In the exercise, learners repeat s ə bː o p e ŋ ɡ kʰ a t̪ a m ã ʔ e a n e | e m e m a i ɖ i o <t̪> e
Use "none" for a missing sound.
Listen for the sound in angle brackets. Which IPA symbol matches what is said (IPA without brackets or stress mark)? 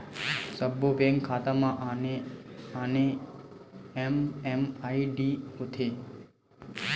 t̪ʰ